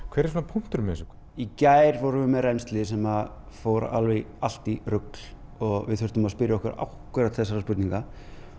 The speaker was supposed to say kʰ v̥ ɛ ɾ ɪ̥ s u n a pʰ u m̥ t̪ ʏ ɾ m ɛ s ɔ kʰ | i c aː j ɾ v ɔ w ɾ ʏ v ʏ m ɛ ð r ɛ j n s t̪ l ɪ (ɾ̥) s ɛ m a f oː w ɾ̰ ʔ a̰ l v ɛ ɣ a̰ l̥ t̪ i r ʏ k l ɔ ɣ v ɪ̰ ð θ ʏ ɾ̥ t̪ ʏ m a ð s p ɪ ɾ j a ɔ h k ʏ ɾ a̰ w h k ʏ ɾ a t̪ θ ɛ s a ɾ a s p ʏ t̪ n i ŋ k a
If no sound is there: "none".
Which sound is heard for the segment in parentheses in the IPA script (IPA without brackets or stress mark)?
none